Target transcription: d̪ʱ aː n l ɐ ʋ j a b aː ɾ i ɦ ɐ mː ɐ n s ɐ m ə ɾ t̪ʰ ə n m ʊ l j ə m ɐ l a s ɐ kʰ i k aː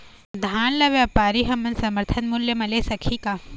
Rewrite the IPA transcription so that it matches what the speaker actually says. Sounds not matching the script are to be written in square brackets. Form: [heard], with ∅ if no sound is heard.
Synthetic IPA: d̪ʱ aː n l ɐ ʋ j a [p] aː ɾ i ɦ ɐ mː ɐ n s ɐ m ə ɾ t̪ʰ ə n m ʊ l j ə m ɐ l [e] s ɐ kʰ i k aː